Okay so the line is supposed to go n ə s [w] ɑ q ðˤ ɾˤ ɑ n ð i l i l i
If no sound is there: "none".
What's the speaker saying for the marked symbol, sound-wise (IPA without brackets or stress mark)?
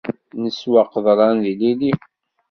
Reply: w